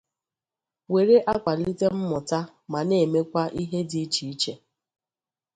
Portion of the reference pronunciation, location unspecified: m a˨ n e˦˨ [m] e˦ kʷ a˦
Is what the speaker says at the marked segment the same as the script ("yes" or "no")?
yes